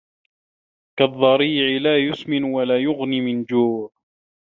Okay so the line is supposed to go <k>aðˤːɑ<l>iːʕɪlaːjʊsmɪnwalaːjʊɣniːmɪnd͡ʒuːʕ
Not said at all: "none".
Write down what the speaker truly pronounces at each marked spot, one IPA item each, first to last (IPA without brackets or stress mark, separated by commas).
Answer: k, ɾ